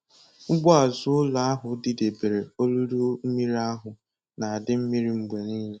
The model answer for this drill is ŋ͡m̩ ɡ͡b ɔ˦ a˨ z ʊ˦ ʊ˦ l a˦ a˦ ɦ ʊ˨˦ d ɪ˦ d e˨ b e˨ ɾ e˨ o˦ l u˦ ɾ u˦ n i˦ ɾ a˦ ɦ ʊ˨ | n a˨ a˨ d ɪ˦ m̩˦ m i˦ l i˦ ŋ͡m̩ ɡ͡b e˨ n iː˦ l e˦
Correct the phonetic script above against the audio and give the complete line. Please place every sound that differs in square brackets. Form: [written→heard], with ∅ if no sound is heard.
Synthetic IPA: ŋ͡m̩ ɡ͡b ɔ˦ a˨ z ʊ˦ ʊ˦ l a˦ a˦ ɦ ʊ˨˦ d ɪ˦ d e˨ b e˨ ɾ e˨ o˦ l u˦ ɾ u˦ [n→m] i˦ ɾ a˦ ɦ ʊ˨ | n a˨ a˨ d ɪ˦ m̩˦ m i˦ [l→ɾ] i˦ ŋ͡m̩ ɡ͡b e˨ n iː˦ l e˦